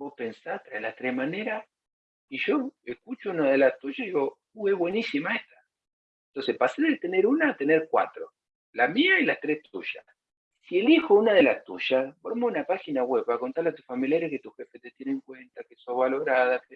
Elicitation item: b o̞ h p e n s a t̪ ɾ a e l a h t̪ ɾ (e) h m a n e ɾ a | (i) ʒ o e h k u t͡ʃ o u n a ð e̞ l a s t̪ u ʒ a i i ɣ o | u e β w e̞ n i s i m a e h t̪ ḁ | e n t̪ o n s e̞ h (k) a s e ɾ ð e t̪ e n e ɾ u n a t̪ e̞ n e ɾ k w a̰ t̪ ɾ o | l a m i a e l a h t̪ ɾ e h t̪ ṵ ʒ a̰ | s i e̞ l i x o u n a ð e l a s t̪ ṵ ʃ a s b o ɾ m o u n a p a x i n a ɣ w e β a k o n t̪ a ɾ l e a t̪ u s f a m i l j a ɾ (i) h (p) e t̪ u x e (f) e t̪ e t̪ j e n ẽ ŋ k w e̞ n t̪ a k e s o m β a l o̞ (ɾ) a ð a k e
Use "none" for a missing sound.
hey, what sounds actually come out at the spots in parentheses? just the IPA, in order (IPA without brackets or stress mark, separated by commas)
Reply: e, i, p, e, k, f, ɾ